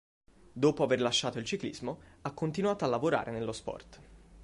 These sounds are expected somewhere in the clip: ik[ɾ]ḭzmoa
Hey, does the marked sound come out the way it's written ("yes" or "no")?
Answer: no